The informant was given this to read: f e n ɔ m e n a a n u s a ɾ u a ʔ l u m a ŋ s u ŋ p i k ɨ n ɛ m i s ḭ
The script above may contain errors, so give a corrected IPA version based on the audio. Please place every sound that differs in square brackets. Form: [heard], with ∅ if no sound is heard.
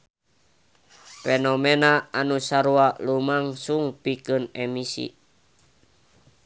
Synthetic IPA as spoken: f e n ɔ m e n a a n u s a ɾ u a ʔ l u m a ŋ s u ŋ p i k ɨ n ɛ m i s ḭ